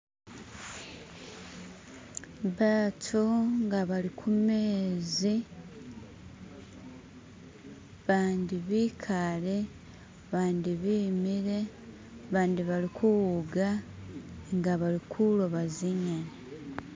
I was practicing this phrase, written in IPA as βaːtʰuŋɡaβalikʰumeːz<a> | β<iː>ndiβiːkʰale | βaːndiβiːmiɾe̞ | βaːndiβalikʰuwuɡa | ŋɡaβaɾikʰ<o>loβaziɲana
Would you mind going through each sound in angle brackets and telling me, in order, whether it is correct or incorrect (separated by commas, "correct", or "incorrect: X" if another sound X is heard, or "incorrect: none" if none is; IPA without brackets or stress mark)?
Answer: incorrect: i, incorrect: aː, incorrect: u